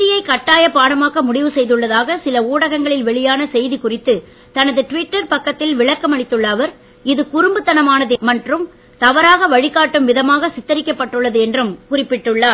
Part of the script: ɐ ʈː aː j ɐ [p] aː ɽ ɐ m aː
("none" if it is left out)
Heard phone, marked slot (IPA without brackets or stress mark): p